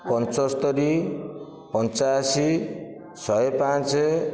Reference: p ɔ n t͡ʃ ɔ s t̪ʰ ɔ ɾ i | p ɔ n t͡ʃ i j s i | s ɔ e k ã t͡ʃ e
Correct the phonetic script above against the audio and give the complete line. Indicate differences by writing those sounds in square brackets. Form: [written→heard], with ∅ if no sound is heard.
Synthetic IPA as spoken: p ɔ n t͡ʃ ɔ s [t̪ʰ→t̪] ɔ ɾ i | p ɔ n t͡ʃ [i→a] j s i | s ɔ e [k→p] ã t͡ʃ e